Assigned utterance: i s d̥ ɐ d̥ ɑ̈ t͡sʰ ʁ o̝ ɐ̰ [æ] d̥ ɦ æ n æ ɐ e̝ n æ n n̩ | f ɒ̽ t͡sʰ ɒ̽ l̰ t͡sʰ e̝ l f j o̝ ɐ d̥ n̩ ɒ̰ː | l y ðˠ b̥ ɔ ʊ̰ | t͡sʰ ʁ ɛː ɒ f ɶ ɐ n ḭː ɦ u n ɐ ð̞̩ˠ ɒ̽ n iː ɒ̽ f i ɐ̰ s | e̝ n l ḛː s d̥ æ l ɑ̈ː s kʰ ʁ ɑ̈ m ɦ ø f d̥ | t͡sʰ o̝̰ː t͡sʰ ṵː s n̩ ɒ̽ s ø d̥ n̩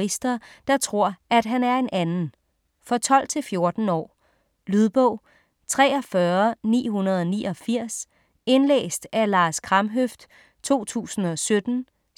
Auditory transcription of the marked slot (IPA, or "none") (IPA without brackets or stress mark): æ